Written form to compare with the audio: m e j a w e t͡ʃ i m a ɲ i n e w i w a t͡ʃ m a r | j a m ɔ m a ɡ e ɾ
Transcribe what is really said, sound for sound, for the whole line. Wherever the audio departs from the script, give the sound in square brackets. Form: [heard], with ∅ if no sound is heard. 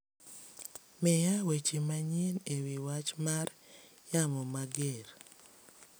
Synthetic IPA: m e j a w e t͡ʃ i m a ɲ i n e w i w a t͡ʃ m a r | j a m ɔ m a ɡ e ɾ